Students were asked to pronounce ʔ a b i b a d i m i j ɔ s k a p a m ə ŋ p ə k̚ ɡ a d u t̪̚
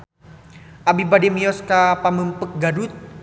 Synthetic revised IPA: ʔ a b i b a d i m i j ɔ s k a p a m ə m p ə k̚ ɡ a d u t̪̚